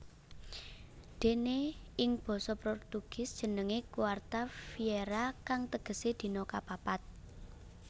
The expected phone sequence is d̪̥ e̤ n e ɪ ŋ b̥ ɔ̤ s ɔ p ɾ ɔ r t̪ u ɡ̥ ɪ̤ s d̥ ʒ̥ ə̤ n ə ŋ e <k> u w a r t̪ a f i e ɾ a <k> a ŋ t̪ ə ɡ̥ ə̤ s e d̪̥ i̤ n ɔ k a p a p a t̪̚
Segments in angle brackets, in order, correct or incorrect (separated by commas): correct, correct